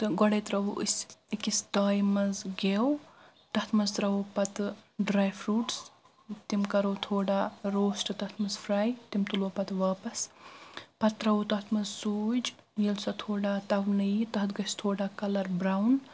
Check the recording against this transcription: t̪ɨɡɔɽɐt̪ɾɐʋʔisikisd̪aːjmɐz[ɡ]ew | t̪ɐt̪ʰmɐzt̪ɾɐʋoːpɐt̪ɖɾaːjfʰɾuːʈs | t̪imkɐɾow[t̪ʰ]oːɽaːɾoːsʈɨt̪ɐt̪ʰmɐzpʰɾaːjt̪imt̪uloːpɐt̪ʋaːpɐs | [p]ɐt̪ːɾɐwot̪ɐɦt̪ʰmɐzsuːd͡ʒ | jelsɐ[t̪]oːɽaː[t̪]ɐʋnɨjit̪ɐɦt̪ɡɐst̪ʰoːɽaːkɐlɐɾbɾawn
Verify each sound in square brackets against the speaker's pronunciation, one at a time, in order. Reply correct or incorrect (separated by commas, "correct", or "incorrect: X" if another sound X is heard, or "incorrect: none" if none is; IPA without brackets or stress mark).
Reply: correct, correct, correct, incorrect: t̪ʰ, correct